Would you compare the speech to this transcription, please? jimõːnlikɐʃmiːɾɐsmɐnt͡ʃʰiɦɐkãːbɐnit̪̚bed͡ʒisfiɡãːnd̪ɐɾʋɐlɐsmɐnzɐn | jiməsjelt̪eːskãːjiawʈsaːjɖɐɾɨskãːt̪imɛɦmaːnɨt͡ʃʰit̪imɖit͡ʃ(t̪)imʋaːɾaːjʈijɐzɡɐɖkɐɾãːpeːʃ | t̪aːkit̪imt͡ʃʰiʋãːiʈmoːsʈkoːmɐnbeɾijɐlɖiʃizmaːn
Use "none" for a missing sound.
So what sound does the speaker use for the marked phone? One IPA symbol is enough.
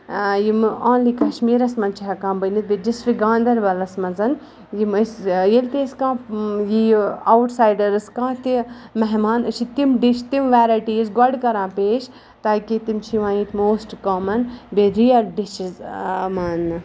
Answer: t̪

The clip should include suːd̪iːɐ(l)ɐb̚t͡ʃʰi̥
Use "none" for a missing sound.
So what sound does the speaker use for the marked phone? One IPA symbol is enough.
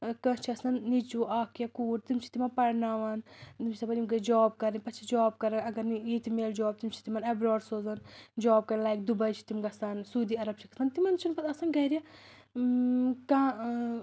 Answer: ɾ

